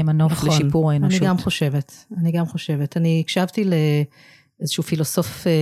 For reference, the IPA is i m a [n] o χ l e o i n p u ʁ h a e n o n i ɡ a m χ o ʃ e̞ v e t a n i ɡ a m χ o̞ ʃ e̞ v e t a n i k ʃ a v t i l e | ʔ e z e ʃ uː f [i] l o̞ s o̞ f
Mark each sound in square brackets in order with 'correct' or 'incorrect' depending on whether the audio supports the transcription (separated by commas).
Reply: correct, correct